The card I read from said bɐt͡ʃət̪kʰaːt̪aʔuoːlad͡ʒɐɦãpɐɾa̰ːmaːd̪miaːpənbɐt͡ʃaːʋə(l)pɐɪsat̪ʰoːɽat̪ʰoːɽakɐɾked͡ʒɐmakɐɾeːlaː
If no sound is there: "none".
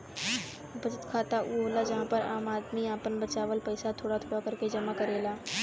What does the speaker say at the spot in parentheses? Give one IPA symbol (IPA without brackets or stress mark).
l